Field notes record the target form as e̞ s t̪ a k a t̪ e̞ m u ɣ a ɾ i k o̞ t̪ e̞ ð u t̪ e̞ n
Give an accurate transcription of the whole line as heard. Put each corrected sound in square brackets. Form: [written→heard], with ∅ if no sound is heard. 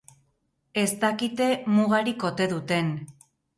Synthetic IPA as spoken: e̞ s t̪ a k [a→i] t̪ e̞ m u ɣ a ɾ i k o̞ t̪ e̞ ð u t̪ e̞ n